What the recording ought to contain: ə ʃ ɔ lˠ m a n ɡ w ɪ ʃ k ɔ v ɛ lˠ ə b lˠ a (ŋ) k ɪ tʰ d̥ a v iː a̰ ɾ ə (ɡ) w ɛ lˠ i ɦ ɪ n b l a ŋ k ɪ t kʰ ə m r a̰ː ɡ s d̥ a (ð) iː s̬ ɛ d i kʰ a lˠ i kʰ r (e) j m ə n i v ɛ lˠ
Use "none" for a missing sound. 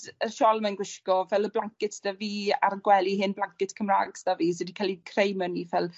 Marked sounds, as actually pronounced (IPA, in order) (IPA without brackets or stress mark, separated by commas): ŋ, ɡ, v, e